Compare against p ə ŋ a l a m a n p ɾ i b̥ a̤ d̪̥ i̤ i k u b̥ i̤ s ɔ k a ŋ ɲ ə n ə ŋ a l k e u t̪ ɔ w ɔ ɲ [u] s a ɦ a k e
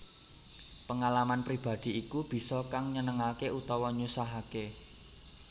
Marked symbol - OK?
yes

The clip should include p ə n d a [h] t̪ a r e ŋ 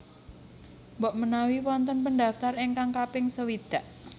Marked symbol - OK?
no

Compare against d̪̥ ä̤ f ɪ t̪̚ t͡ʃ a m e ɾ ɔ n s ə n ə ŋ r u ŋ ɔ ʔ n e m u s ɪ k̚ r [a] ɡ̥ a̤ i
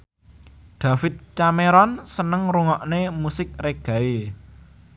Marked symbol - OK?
no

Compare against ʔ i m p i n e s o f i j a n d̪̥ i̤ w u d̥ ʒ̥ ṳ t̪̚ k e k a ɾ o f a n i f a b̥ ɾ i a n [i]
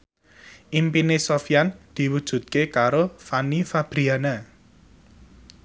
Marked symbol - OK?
no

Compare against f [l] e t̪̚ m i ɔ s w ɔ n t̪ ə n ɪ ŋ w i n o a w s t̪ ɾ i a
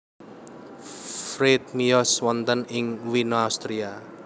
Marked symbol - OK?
no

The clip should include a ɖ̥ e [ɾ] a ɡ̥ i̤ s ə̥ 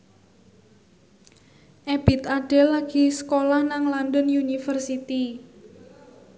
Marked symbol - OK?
no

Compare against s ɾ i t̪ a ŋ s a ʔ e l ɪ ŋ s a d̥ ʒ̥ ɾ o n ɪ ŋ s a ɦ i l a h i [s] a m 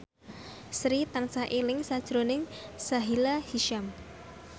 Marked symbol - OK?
no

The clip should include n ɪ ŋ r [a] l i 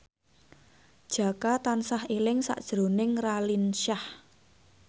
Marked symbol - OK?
yes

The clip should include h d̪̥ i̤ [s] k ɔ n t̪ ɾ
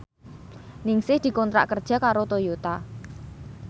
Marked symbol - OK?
no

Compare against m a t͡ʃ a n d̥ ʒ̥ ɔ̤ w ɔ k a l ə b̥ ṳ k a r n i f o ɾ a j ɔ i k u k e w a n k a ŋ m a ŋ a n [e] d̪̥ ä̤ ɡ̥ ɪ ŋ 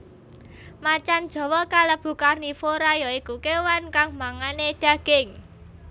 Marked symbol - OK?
yes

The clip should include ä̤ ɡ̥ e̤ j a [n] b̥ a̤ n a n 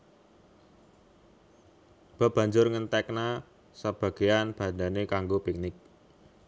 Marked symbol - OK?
yes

